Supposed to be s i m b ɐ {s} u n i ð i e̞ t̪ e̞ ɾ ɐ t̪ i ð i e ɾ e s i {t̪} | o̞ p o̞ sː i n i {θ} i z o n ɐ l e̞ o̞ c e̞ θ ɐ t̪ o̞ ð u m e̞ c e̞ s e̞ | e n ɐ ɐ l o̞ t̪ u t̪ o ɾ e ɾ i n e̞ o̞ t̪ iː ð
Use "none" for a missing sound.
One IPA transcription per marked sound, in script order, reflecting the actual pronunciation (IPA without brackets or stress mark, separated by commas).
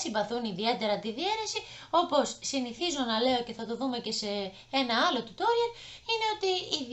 θ, none, θ